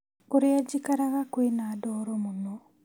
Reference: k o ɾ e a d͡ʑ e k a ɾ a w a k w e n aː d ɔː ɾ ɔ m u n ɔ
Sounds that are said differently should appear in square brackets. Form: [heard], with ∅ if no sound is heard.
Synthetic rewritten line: k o ɾ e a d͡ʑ [i] k a ɾ a [ɣ] a k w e n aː d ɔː ɾ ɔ m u n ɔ